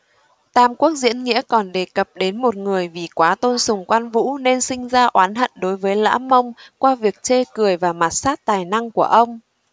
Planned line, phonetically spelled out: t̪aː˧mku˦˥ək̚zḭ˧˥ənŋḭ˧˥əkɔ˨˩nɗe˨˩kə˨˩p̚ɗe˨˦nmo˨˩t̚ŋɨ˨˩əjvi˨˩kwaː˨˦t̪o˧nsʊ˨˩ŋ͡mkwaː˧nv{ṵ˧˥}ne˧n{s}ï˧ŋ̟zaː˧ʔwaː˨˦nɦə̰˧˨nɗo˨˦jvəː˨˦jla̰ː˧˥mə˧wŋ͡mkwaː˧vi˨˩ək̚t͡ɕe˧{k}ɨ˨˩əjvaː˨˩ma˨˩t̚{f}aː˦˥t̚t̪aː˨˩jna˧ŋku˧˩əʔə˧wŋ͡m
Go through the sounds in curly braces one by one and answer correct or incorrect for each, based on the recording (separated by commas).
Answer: correct, correct, correct, incorrect